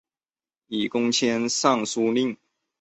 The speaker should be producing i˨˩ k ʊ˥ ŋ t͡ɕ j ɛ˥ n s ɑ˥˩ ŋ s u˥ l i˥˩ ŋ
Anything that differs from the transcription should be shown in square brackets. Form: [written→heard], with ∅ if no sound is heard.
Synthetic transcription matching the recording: i˨˩ k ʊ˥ ŋ [t͡ɕ→t͡ɕʰ] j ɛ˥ n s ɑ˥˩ ŋ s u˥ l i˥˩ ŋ

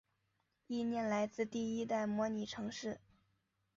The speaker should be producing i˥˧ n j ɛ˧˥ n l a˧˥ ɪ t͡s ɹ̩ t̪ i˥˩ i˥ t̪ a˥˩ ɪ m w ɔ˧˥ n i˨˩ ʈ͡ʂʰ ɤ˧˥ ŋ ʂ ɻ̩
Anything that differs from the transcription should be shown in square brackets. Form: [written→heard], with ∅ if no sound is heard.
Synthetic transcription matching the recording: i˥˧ n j [ɛ˧˥→ɛ˥˩] n l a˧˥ ɪ t͡s ɹ̩ t̪ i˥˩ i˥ t̪ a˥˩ ɪ m w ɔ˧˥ n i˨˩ ʈ͡ʂʰ ɤ˧˥ ŋ ʂ ɻ̩

